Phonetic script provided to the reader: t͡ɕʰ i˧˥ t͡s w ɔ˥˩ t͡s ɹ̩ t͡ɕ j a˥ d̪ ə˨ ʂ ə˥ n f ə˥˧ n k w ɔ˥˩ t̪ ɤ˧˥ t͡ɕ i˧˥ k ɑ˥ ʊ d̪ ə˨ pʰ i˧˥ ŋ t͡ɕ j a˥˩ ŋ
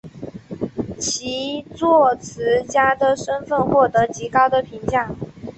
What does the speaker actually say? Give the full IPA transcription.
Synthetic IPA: t͡ɕʰ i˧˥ t͡s w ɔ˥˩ t͡sʰ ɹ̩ t͡ɕ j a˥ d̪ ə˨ ʂ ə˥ n f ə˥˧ n x w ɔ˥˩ t̪ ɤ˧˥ t͡ɕ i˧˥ k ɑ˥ ʊ d̪ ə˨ pʰ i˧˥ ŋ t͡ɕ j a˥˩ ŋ